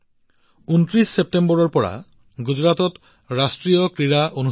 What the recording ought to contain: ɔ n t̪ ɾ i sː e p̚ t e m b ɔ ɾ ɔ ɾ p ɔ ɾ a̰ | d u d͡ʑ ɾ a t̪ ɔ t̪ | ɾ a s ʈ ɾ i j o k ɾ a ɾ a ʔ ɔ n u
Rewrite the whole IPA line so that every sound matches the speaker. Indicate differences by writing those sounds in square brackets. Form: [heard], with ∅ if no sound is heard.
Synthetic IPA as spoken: [u] n t̪ ɾ i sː e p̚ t e m b ɔ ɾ ɔ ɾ p ɔ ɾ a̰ | [ɡ] u d͡ʑ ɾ a t̪ ɔ t̪ | ɾ a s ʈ ɾ i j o k ɾ [i] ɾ a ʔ [o] n u